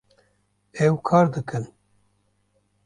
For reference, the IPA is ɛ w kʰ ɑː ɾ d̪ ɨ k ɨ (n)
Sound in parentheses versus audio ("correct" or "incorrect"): correct